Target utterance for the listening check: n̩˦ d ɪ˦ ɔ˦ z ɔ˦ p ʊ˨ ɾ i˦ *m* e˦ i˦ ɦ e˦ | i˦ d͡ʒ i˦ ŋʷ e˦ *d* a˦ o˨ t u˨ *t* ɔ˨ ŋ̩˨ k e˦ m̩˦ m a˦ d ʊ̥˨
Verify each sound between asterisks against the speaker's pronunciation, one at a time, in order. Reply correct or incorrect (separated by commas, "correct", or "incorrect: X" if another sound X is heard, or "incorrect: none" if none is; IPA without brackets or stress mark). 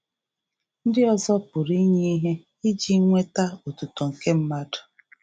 incorrect: ɲ, incorrect: t, correct